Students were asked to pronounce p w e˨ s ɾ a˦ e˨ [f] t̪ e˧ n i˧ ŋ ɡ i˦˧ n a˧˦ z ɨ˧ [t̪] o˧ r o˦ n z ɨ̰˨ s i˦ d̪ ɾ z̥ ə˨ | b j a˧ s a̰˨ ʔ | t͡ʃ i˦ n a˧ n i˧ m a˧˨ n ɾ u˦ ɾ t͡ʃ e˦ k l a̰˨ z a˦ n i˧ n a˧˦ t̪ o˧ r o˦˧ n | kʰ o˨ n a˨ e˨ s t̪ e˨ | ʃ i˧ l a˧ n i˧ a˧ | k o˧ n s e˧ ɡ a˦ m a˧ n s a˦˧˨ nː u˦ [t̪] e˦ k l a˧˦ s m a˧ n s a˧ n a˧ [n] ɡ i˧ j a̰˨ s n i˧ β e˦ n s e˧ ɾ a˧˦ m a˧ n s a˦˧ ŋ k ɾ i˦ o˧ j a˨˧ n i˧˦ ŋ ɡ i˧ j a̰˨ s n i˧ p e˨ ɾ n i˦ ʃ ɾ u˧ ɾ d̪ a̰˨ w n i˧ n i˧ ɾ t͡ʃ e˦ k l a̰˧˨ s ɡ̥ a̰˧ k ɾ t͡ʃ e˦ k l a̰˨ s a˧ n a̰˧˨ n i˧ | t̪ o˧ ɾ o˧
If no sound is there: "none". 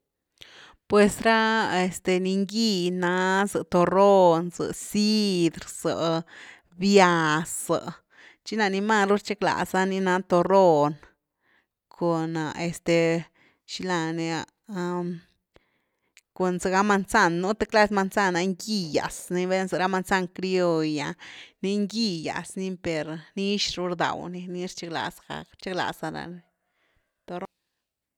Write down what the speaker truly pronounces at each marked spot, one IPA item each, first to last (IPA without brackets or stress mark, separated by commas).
s, t̪, t̪, ŋ